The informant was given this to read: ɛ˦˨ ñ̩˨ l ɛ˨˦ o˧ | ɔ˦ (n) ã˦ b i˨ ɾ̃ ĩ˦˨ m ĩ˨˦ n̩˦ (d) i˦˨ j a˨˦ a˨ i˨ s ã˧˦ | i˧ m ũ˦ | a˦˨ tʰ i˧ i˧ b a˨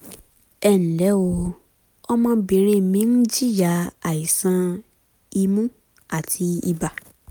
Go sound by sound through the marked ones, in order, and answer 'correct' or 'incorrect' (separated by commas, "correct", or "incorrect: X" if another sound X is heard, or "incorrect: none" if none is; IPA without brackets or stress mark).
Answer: incorrect: m, incorrect: d͡ʒ